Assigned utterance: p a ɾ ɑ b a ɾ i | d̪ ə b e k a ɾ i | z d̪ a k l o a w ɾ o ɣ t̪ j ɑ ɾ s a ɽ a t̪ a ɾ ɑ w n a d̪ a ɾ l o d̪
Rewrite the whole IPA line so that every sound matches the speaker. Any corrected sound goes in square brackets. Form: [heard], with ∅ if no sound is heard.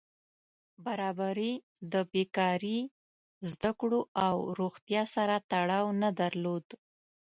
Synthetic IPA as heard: [b] a ɾ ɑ b a ɾ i | d̪ ə b e k [ɑ] ɾ i | z d̪ a k [ɽ] o a w ɾ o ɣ t̪ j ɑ [∅] s a [ɾ] a t̪ a [ɽ] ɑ w n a d̪ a ɾ l o d̪